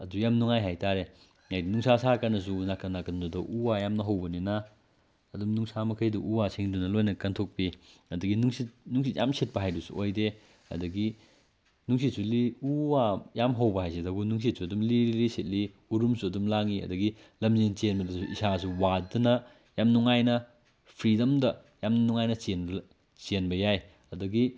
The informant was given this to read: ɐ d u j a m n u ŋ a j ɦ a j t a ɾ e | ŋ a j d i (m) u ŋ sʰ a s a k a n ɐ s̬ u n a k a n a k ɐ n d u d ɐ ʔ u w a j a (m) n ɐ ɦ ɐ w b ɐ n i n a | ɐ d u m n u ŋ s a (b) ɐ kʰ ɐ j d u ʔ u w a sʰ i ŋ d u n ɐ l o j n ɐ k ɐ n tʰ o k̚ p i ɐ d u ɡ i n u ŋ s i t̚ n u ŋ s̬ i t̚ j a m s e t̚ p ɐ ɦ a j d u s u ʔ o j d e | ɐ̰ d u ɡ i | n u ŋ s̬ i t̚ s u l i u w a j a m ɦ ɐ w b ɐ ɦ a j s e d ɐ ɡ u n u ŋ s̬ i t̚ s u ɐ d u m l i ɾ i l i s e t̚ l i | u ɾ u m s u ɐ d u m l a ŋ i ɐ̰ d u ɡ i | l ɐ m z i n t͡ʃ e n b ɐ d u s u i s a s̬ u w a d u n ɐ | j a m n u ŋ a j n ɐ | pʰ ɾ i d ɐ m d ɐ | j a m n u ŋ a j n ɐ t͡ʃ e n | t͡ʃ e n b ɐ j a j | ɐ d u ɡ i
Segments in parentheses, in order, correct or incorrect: incorrect, correct, incorrect

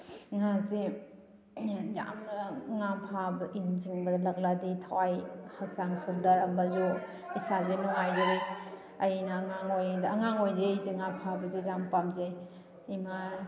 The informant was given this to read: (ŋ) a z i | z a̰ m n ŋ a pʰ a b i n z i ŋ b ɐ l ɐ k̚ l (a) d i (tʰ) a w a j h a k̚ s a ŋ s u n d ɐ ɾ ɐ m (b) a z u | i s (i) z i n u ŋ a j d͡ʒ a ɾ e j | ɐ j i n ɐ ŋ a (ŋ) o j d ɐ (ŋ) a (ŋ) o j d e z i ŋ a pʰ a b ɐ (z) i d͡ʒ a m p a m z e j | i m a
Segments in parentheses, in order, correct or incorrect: correct, correct, correct, correct, incorrect, correct, correct, correct, correct

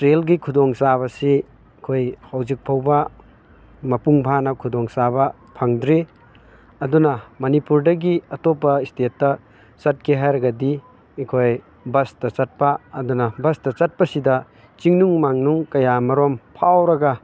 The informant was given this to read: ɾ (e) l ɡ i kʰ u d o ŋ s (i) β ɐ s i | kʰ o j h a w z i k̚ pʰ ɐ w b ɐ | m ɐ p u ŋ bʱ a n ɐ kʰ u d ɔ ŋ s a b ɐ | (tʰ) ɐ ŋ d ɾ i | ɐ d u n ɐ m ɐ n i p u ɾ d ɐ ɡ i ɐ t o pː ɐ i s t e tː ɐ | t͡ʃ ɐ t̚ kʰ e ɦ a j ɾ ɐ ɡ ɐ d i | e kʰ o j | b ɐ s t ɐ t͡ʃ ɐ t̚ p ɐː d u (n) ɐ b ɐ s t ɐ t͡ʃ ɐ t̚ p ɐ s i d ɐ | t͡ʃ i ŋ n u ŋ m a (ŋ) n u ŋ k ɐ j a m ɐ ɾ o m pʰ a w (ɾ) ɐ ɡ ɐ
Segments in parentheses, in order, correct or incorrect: correct, incorrect, incorrect, correct, correct, correct

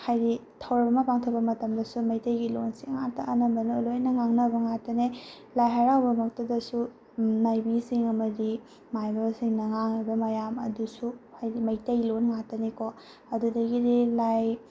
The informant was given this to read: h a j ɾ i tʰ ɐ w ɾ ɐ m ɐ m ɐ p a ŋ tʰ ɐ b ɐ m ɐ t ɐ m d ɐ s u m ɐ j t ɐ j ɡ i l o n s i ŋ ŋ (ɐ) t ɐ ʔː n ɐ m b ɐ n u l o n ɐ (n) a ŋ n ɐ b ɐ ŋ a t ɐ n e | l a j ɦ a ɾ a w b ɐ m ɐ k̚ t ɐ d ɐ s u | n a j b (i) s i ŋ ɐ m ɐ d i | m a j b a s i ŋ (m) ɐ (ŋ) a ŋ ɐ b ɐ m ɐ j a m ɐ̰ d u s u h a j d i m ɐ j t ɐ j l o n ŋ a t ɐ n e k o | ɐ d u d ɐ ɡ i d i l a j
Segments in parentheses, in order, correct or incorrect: incorrect, incorrect, correct, incorrect, correct

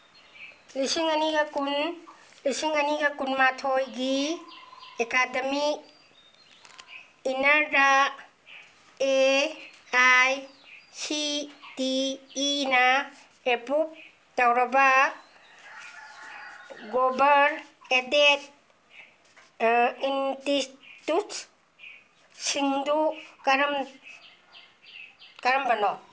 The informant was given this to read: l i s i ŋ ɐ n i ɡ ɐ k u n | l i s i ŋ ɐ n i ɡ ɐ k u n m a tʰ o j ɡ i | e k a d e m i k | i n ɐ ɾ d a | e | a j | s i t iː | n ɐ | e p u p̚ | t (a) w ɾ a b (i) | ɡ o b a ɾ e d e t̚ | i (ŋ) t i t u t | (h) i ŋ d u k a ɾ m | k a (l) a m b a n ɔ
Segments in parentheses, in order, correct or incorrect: correct, incorrect, incorrect, incorrect, incorrect

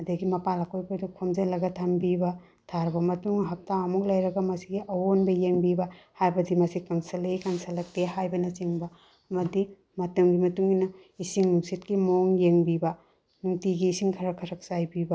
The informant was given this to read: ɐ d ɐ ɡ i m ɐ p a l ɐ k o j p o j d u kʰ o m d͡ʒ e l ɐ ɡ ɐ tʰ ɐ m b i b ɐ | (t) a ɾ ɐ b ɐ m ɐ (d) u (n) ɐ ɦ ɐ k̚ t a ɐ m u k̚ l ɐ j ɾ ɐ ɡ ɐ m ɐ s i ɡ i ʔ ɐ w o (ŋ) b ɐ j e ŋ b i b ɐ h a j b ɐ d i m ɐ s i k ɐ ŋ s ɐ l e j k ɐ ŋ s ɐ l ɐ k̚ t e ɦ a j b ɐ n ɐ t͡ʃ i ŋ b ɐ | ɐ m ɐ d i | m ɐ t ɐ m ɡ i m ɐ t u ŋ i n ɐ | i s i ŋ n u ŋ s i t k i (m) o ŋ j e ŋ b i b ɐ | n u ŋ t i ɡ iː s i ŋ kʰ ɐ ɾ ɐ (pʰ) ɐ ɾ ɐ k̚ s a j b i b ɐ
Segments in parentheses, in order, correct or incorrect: incorrect, incorrect, incorrect, incorrect, correct, incorrect

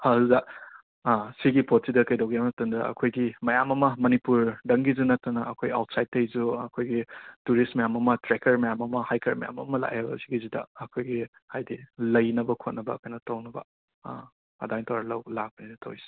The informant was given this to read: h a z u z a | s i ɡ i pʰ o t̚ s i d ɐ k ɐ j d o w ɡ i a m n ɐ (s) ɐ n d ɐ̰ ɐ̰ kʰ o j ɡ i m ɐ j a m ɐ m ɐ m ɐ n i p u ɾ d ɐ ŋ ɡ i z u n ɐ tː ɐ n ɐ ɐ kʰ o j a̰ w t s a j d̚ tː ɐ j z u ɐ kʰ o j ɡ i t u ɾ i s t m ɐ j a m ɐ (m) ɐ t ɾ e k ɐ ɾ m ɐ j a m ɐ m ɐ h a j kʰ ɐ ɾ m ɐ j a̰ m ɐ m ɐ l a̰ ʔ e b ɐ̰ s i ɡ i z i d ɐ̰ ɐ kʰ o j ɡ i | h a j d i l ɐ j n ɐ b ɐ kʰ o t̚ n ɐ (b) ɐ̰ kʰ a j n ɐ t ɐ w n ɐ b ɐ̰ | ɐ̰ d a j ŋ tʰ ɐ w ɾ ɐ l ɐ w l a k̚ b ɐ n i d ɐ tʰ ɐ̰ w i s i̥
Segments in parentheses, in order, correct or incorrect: incorrect, correct, correct

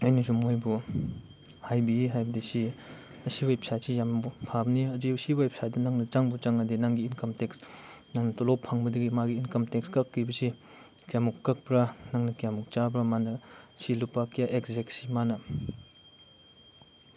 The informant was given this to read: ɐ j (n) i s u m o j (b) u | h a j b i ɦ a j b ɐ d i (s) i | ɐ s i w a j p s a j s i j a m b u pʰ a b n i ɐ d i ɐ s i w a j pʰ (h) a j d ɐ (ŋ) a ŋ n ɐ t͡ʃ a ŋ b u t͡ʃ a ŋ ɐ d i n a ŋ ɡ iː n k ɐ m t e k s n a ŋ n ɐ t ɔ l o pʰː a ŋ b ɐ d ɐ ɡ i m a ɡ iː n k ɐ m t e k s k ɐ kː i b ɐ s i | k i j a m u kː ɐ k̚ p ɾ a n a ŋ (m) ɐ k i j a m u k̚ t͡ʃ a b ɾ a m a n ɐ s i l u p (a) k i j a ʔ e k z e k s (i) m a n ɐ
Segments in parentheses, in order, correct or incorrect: correct, correct, correct, incorrect, incorrect, incorrect, correct, correct

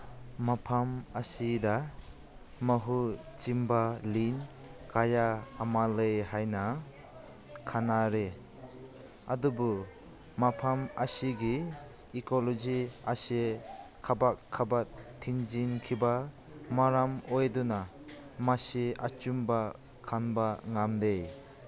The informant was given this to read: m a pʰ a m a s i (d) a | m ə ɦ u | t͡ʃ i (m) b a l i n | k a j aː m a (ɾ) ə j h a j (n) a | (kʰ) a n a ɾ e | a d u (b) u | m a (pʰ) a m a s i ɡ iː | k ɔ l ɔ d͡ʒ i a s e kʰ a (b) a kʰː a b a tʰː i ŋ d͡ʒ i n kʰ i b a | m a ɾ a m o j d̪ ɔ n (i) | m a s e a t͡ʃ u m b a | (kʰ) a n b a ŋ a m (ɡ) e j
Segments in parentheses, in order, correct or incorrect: correct, correct, incorrect, correct, correct, correct, correct, correct, incorrect, correct, incorrect

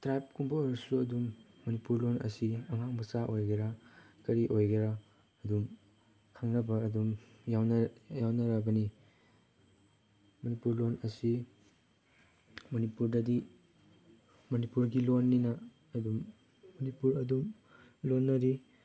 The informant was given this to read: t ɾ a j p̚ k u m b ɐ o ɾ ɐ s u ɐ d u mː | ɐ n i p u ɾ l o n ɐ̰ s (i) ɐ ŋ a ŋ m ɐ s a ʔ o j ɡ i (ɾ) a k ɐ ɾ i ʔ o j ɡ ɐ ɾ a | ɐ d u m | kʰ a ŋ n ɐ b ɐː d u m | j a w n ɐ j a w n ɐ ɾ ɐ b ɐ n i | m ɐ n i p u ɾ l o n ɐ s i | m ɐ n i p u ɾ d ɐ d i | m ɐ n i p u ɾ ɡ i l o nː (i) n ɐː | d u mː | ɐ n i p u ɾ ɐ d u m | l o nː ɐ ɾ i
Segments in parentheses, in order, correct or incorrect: correct, correct, correct

